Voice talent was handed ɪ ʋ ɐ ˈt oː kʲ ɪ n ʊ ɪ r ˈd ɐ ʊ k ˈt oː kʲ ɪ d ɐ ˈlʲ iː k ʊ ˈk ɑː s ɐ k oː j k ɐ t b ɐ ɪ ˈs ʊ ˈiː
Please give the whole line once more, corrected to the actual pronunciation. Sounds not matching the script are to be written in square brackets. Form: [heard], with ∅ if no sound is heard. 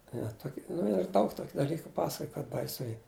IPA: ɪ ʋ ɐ ˈt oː kʲ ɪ n ʊ ɪ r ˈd ɐ ʊ k ˈt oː kʲ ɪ d ɐ ˈlʲ iː k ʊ [ˈp] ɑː s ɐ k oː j k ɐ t b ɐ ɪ ˈs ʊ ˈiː